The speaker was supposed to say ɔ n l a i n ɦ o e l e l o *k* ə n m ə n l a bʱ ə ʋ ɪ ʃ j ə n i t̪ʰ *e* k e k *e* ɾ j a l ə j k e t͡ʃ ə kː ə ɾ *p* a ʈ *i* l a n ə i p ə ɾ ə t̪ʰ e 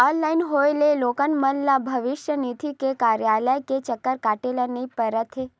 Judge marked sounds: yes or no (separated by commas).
yes, no, no, no, no